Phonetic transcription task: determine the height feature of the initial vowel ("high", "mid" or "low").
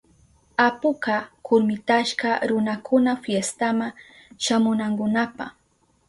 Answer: low